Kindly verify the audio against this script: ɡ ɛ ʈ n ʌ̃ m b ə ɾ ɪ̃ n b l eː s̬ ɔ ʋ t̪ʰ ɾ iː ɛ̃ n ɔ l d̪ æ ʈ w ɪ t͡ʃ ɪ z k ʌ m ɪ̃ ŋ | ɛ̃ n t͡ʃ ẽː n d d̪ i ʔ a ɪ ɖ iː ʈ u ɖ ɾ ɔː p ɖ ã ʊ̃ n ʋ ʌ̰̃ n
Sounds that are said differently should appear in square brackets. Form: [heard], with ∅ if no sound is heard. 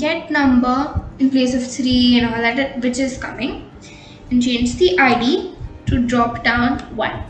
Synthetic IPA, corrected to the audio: ɡ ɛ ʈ n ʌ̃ m b ə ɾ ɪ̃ n [p] l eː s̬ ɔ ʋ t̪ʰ ɾ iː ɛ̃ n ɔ l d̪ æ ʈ [ʋ] ɪ t͡ʃ ɪ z k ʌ m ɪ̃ ŋ | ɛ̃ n t͡ʃ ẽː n [d͡ʒ] d̪ i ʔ a ɪ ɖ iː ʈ u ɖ ɾ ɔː p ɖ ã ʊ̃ n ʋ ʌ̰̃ n